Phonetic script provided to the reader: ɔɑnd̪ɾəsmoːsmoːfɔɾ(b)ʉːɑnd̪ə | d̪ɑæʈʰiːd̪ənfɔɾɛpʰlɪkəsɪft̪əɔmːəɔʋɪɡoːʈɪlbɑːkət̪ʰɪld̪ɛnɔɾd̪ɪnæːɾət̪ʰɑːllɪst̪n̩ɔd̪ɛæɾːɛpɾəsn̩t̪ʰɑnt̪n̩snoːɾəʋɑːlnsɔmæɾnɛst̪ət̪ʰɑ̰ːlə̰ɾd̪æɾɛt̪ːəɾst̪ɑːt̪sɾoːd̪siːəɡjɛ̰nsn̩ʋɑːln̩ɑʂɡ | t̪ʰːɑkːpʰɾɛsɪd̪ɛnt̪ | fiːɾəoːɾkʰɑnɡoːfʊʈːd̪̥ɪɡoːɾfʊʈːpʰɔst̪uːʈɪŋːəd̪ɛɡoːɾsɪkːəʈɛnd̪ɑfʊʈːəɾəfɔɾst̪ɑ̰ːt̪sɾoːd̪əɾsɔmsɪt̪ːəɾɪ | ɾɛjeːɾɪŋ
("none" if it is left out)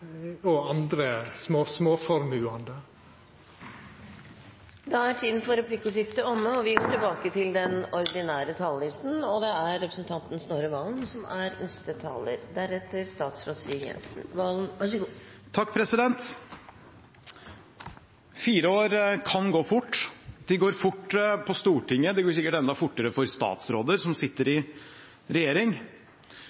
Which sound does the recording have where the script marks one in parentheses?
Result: m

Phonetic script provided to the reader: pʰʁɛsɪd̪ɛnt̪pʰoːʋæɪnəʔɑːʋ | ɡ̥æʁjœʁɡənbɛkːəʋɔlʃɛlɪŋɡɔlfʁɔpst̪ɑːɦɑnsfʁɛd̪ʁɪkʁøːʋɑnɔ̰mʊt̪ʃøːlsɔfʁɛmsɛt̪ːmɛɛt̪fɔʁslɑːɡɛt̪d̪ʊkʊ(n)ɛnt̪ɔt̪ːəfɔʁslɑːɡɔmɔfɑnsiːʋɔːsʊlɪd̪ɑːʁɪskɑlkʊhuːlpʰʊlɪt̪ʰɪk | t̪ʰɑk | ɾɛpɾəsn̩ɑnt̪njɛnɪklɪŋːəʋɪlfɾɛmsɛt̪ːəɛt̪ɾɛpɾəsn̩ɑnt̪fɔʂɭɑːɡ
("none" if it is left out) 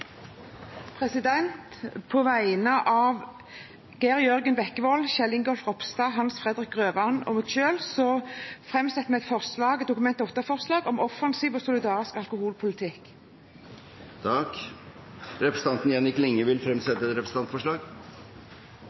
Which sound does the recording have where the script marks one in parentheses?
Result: m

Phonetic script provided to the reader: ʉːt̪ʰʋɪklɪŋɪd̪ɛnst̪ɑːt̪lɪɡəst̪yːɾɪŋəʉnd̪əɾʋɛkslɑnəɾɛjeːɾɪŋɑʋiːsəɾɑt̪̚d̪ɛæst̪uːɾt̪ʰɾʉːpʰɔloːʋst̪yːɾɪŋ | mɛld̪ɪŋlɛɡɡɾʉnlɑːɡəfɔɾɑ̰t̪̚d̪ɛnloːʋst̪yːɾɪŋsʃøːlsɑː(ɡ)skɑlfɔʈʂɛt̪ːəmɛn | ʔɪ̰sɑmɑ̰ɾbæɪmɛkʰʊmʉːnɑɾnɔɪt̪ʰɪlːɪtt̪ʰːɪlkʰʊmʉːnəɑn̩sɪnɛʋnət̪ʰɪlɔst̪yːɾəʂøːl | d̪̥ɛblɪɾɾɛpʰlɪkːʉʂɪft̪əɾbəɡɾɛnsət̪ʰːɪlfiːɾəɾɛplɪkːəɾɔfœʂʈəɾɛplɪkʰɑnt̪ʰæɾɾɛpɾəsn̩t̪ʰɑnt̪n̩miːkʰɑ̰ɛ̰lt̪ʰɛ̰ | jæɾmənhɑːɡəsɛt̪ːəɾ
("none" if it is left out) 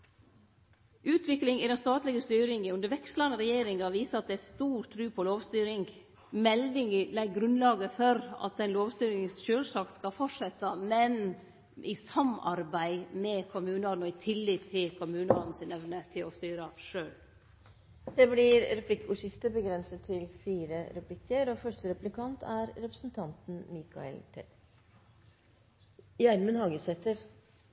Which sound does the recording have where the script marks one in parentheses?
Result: k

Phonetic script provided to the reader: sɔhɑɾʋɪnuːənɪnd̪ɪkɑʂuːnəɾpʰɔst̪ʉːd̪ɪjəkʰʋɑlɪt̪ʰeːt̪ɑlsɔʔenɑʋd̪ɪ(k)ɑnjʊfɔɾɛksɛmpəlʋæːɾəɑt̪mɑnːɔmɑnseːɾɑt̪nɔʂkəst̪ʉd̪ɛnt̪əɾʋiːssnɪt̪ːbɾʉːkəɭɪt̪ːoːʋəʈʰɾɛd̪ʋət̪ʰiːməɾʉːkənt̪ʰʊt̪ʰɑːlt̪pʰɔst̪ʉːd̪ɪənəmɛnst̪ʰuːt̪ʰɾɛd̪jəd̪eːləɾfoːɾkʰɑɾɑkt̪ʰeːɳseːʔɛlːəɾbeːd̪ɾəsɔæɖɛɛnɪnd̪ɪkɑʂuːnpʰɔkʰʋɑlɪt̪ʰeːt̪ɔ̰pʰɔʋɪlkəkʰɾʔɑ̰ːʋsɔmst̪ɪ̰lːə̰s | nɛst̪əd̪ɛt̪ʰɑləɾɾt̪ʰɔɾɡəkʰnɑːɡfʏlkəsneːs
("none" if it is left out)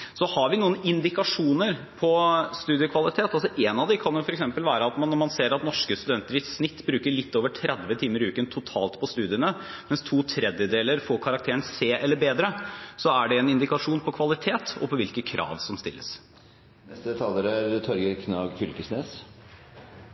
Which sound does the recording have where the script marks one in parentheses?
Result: kʰ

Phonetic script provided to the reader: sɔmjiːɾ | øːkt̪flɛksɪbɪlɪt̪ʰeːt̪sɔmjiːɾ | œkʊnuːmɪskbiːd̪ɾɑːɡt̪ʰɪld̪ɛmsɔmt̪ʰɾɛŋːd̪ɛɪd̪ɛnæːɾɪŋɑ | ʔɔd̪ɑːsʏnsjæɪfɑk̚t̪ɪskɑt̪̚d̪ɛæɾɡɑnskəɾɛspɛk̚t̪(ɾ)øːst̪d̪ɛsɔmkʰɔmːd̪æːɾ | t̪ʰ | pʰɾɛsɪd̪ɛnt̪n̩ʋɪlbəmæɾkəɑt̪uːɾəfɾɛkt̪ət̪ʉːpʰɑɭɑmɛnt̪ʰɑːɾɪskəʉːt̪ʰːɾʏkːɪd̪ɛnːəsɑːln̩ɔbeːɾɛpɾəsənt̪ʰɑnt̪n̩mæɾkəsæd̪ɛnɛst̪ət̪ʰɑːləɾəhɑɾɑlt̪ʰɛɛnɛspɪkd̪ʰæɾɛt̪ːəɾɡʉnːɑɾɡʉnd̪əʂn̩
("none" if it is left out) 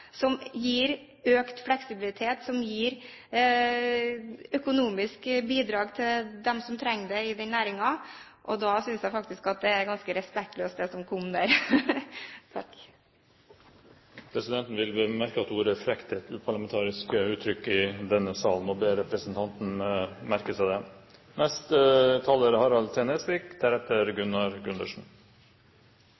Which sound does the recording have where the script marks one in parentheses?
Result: l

